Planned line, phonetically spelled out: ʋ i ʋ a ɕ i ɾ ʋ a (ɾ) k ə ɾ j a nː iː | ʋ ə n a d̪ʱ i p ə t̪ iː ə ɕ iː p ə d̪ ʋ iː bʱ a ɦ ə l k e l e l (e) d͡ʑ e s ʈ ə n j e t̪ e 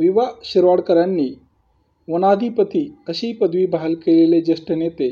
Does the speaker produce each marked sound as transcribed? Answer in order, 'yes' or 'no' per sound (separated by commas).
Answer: no, yes